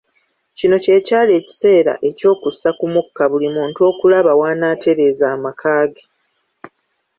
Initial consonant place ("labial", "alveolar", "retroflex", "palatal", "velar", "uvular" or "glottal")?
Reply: palatal